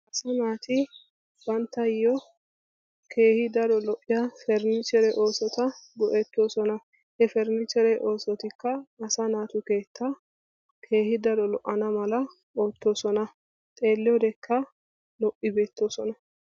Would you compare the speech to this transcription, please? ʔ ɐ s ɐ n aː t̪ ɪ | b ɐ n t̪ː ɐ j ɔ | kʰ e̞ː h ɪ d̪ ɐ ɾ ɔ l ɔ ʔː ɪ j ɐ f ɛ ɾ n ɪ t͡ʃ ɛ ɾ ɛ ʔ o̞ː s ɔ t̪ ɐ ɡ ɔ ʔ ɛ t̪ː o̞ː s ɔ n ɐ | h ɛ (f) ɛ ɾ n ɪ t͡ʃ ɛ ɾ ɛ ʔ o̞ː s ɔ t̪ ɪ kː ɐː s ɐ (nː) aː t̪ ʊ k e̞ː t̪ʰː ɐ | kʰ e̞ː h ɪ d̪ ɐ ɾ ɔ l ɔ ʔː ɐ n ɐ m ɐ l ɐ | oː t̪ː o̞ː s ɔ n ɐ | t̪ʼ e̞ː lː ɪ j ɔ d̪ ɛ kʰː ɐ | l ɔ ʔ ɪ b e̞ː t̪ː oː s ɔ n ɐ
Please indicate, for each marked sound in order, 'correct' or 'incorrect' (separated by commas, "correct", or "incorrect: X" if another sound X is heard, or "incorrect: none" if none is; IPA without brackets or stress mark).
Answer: correct, incorrect: n